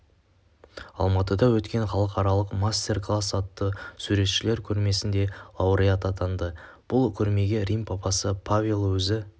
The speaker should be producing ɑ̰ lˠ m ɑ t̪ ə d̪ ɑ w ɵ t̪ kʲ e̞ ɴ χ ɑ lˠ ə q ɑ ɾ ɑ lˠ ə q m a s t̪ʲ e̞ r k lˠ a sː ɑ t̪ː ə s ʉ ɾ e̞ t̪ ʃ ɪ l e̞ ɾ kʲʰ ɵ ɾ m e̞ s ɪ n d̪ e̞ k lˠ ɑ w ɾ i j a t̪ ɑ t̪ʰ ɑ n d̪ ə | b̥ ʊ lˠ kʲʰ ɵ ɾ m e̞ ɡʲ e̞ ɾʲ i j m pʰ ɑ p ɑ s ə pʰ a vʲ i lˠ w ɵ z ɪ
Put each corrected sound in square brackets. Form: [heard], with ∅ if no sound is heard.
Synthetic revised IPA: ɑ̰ lˠ m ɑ t̪ ə d̪ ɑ w ɵ t̪ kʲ e̞ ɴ χ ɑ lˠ ə q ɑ ɾ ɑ lˠ ə q m a s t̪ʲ e̞ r k lˠ a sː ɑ t̪ː ə s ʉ ɾ e̞ t̪ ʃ ɪ l e̞ ɾ kʲʰ ɵ ɾ m e̞ s ɪ n d̪ e̞ [∅] lˠ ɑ w ɾ i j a t̪ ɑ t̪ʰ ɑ n d̪ ə | b̥ ʊ lˠ kʲʰ ɵ ɾ m e̞ ɡʲ e̞ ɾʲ i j m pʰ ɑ p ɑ s ə pʰ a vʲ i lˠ w ɵ z ɪ